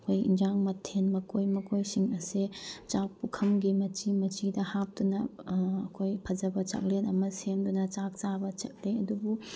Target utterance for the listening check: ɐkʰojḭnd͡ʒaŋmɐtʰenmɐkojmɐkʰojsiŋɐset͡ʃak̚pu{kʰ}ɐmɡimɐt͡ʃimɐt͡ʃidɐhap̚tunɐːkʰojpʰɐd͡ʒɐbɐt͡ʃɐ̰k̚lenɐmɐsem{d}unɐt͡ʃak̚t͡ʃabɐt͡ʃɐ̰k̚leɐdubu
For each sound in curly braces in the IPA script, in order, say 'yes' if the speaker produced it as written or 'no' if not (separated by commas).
yes, yes